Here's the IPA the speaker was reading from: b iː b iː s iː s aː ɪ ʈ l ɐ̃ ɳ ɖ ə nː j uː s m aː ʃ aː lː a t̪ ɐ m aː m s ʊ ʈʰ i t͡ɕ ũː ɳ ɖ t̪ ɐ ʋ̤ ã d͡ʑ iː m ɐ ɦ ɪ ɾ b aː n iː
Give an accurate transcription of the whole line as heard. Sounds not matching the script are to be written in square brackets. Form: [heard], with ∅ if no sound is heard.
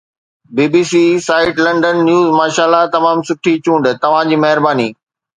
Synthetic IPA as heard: b iː b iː s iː s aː ɪ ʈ l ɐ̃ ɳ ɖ ə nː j uː [z] m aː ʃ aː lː a t̪ ɐ m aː m s ʊ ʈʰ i t͡ɕ ũː ɳ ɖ t̪ ɐ ʋ̤ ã d͡ʑ iː m ɐ ɦ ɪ ɾ b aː n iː